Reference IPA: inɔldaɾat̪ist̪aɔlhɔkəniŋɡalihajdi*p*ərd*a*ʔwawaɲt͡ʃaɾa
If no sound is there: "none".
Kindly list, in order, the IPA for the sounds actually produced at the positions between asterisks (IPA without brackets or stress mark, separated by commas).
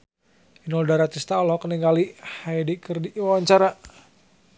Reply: k, i